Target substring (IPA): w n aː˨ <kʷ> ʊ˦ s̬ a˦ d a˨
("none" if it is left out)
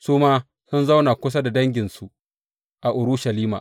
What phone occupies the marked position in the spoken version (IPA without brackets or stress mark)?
kʷ